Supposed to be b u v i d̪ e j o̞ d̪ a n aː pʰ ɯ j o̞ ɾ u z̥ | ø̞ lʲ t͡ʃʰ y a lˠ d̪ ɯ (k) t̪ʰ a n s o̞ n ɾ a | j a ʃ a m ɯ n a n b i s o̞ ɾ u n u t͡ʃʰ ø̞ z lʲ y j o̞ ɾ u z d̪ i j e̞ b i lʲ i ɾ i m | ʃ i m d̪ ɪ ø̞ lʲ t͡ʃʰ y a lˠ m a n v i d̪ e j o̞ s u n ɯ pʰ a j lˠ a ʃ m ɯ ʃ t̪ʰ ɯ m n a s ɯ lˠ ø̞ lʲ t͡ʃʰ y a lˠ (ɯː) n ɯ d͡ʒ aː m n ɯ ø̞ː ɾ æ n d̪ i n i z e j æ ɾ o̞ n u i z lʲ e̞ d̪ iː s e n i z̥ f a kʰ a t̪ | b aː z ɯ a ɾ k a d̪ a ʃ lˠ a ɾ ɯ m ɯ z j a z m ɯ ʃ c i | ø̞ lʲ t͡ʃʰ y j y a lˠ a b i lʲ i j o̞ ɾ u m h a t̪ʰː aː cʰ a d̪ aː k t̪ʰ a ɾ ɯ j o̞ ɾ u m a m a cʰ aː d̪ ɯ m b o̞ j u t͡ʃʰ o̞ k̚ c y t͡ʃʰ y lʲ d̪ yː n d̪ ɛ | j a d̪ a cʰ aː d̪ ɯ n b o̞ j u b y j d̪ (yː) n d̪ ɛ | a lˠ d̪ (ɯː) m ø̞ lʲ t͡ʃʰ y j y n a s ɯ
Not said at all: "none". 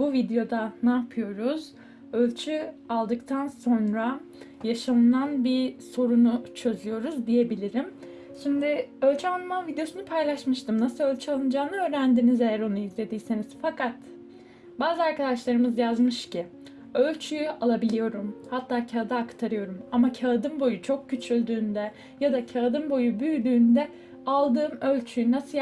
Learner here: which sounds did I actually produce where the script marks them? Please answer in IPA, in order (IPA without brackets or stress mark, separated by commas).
k, ɯ, yː, ɯː